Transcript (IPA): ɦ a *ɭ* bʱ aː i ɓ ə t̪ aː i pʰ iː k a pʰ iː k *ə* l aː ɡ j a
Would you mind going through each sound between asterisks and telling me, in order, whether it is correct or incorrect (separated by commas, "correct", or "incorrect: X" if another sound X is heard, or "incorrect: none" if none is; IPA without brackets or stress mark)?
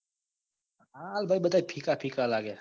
incorrect: l, incorrect: a